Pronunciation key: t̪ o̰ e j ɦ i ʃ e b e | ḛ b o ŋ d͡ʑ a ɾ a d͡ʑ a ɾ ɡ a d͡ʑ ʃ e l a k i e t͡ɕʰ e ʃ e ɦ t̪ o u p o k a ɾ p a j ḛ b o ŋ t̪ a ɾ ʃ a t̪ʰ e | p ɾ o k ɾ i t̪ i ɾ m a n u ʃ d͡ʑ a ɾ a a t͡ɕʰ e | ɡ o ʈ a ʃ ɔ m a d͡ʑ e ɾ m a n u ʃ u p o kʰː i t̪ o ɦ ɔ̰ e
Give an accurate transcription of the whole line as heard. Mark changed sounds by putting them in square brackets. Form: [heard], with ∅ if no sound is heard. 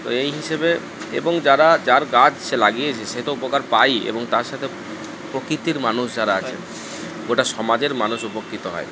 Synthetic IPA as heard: t̪ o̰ e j ɦ i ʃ e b e | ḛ b o ŋ d͡ʑ a ɾ a d͡ʑ a ɾ ɡ a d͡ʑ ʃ e l a [ɡ] i e t͡ɕʰ e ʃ e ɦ t̪ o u p o k a ɾ p a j ḛ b o ŋ t̪ a ɾ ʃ a t̪ʰ e | p ɾ o k ɾ i t̪ i ɾ m a n u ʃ d͡ʑ a ɾ a a t͡ɕʰ e | ɡ o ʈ a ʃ ɔ m a d͡ʑ e ɾ m a n u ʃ u p o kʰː i t̪ o ɦ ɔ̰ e